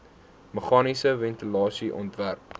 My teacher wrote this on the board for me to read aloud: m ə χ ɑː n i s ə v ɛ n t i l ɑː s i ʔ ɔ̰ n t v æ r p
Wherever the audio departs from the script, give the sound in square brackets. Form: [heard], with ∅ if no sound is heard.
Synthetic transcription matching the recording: m ə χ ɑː n i s ə v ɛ n t i l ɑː s i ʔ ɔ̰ n t v æ r p